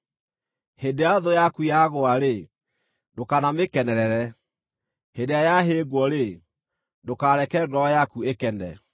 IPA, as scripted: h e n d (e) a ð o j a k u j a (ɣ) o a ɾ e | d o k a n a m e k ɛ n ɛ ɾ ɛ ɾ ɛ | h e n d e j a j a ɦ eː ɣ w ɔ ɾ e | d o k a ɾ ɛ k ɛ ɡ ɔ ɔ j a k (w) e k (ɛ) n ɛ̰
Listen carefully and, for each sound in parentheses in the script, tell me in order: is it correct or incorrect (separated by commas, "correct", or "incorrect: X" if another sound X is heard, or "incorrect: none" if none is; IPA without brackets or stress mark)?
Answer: correct, correct, incorrect: u, correct